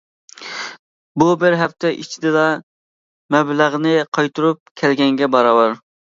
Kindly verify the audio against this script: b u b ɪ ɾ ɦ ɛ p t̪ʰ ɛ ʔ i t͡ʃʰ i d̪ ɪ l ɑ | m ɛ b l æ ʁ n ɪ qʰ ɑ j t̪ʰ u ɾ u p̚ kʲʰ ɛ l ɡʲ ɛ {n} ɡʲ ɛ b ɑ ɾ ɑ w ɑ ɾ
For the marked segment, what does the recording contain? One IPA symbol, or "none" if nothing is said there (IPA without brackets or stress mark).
ŋ